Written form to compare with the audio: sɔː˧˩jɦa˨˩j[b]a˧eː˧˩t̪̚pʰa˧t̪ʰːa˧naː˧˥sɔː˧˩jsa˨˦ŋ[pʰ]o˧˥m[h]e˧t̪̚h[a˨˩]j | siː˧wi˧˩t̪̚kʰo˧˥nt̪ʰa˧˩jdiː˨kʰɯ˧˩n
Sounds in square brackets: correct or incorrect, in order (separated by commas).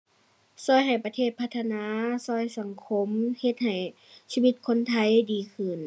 incorrect, incorrect, correct, correct